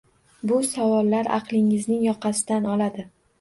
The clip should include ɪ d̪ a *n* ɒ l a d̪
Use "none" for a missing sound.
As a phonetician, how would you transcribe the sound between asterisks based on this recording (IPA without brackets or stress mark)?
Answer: n